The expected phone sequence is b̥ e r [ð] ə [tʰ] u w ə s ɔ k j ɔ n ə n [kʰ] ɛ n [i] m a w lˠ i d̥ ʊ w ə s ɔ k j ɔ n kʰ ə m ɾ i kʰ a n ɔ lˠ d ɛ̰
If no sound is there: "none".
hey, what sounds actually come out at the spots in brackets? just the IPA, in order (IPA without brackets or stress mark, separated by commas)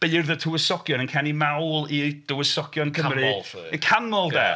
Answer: ð, tʰ, kʰ, i